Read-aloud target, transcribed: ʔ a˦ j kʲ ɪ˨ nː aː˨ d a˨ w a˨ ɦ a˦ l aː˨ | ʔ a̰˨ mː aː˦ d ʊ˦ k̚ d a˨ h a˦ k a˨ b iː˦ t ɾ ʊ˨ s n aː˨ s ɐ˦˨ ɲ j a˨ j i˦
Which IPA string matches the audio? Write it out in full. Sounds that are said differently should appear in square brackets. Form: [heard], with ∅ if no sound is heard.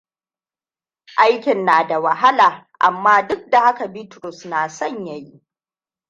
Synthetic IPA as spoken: ʔ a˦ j kʲ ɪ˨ nː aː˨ d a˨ w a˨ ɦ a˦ l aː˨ | ʔ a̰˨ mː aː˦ d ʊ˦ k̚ d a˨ h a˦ k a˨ b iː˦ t ɾ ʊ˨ s n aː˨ s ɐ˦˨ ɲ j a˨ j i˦